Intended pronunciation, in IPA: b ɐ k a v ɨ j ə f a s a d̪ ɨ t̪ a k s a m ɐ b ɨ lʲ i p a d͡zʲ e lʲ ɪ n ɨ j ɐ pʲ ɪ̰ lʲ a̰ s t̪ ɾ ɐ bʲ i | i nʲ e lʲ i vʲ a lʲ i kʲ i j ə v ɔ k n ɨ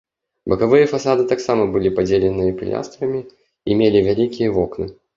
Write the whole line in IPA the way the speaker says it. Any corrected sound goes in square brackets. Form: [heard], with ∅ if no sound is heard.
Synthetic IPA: b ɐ k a v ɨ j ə f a s a d̪ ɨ t̪ a k s a m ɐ b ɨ lʲ i p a d͡zʲ e lʲ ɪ n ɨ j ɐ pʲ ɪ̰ lʲ a̰ s t̪ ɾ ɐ [mʲ] i | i [mʲ] e lʲ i vʲ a lʲ i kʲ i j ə v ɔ k n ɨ